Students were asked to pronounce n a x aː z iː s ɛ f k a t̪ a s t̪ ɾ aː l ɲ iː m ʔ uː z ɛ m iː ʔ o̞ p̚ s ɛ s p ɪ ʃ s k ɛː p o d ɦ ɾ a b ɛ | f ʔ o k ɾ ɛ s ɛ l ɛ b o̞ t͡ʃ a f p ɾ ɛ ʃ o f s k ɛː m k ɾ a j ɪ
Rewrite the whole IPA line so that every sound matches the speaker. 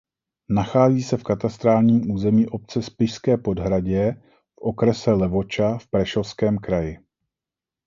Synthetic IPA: n a x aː z iː s ɛ f k a t̪ a s t̪ ɾ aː l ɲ iː m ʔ uː z ɛ m iː ʔ o̞ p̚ t͡s ɛ s p ɪ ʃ s k ɛː p o d ɦ ɾ a ɟ ɛ | f ʔ o k ɾ ɛ s ɛ l ɛ v o̞ t͡ʃ a f p ɾ ɛ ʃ o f s k ɛː m k ɾ a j ɪ